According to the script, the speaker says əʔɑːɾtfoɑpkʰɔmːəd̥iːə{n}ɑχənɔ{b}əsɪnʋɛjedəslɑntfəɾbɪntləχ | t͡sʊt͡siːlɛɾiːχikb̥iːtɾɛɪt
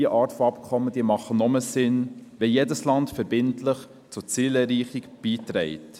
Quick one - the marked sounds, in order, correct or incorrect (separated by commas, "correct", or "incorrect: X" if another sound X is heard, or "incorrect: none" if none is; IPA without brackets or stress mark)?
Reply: incorrect: m, incorrect: m